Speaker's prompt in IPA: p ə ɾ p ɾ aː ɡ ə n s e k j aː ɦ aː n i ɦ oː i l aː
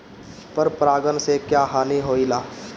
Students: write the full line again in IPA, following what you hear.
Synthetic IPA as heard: p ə ɾ p ɾ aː ɡ ə n s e k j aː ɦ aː n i ɦ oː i l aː